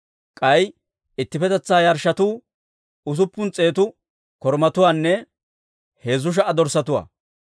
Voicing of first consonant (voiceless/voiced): voiceless